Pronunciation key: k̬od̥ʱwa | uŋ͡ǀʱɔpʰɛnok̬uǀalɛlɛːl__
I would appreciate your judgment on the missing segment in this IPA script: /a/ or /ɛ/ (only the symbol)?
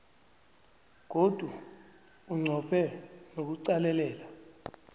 a